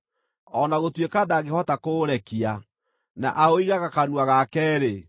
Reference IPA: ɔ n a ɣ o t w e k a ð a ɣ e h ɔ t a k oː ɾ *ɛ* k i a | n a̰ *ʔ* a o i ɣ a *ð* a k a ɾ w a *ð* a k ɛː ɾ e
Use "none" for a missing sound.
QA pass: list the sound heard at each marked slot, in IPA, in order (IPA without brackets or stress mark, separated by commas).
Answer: ɛ, ʔ, ɣ, ɣ